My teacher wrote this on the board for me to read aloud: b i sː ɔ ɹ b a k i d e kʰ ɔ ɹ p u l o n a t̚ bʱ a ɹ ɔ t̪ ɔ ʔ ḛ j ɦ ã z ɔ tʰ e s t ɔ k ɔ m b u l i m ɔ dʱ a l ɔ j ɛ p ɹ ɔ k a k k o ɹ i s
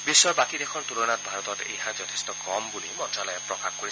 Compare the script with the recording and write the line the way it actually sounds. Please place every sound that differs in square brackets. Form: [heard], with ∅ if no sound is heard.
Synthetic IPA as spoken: b i sː ɔ ɹ b a k i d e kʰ ɔ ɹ [t] u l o n a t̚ bʱ a ɹ ɔ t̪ ɔ [t] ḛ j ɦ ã z ɔ tʰ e s t ɔ k ɔ m b u l i m ɔ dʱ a l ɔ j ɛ p ɹ ɔ k a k k o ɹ i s